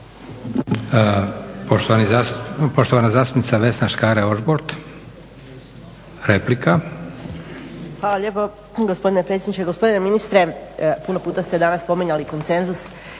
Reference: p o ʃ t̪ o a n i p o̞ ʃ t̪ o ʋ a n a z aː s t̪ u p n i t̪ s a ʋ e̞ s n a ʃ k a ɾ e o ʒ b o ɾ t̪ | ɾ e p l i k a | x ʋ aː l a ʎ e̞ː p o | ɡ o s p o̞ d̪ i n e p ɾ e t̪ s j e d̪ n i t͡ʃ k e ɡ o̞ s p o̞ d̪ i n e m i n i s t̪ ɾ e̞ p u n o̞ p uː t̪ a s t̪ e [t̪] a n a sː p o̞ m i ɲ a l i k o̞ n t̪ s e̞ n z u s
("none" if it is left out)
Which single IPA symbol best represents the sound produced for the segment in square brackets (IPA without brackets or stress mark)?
d̪